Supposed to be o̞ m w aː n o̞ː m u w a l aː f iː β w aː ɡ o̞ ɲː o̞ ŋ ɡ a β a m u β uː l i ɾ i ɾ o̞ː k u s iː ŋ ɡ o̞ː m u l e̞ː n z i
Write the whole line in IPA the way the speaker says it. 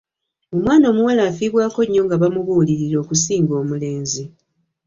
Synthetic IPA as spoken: o̞ m w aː n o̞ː m u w a l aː f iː β w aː k o̞ ɲː o̞ ŋ ɡ a β a m u β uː l i ɾ i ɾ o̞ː k u s iː ŋ ɡ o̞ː m u l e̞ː n z i